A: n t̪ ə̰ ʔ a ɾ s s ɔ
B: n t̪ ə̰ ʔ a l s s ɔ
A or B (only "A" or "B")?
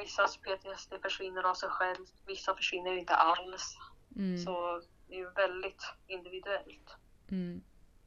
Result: B